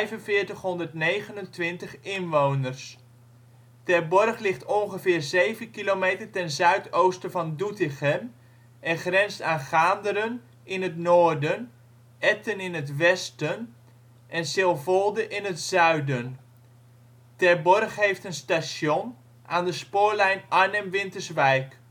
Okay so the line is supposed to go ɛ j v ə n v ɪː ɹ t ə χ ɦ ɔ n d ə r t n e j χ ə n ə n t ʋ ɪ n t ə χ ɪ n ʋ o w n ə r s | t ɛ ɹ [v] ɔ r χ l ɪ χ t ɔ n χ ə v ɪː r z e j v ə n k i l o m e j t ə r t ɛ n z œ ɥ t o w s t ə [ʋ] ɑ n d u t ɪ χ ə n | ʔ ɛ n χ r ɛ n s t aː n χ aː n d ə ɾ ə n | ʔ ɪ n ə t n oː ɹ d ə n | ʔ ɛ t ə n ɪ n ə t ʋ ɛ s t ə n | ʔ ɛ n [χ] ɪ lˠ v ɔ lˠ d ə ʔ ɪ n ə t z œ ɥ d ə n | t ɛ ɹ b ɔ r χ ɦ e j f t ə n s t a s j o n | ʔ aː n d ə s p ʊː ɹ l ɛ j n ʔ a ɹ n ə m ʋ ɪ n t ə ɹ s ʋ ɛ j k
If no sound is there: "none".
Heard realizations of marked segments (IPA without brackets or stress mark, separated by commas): b, v, s